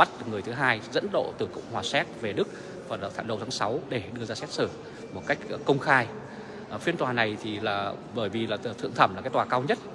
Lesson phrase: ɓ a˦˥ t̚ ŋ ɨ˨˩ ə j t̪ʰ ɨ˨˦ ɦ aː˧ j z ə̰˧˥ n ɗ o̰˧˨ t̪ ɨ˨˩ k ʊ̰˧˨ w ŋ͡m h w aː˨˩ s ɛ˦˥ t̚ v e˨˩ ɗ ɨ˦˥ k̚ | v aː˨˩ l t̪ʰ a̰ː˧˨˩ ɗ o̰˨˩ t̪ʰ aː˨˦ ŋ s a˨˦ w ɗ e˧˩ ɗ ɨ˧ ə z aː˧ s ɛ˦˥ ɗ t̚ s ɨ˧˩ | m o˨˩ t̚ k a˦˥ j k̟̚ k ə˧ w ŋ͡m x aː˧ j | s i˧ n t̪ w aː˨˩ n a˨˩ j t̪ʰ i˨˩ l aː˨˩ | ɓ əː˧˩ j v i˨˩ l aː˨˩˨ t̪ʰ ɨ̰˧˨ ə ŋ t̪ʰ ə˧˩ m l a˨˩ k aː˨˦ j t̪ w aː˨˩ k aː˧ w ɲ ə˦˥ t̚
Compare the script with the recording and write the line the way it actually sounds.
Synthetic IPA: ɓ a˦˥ t̚ ŋ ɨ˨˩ ə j t̪ʰ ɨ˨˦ ɦ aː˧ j z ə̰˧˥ n ɗ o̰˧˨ t̪ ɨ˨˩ k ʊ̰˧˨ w ŋ͡m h w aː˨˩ s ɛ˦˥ t̚ v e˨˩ ɗ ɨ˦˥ k̚ | v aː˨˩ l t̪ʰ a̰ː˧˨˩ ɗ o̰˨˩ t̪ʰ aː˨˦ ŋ s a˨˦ w ɗ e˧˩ ɗ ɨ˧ ə z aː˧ s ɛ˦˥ t̚ s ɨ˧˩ | m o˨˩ t̚ k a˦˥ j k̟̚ k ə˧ w ŋ͡m x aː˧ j | f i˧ n t̪ w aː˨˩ n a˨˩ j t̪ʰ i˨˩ l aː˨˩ | ɓ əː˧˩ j v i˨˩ l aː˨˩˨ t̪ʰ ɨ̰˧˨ ə ŋ t̪ʰ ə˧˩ m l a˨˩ k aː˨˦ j t̪ w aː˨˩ k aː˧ w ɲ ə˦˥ t̚